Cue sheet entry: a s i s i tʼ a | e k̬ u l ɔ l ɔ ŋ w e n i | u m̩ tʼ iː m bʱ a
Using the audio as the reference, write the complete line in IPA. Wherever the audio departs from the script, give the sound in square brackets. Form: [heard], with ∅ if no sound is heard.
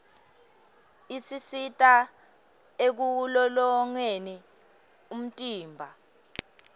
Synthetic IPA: [i] s i s i tʼ a | e k̬ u l ɔ l ɔ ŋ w e n i | u m̩ tʼ iː m bʱ a